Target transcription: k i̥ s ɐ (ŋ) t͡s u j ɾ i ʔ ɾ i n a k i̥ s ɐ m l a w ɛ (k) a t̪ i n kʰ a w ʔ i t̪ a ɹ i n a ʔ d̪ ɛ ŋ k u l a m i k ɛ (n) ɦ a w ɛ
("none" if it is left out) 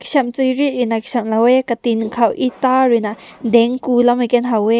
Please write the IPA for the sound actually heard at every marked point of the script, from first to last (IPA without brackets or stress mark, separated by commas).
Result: m, k, n